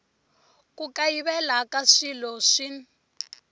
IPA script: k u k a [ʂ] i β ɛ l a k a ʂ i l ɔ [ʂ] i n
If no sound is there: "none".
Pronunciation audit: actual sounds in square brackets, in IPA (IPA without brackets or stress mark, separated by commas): none, ʂ